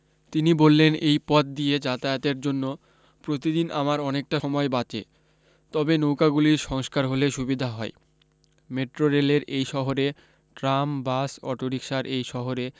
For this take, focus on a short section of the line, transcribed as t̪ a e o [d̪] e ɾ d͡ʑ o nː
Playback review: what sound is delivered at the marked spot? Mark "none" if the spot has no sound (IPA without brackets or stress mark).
t̪